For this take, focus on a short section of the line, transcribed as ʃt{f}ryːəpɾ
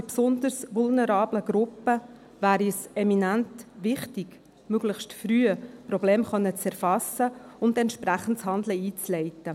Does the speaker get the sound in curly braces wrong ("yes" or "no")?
no